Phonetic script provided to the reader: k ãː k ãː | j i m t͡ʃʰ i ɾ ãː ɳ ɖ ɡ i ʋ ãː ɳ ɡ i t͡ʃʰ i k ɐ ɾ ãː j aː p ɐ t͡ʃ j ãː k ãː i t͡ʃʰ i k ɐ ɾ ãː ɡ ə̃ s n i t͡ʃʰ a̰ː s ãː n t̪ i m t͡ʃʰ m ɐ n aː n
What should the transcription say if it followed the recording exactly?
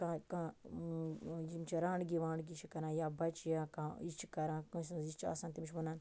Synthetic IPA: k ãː k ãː | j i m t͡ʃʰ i ɾ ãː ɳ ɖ ɡ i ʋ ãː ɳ ɡ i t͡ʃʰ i k ɐ ɾ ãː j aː b ɐ t͡ʃ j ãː k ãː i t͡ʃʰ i k ɐ ɾ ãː k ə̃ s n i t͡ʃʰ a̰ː s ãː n t̪ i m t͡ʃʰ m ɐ n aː n